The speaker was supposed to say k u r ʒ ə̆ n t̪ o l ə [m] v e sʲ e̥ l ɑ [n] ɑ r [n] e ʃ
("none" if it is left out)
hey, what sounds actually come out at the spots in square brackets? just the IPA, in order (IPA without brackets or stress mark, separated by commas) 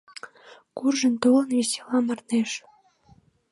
n, m, n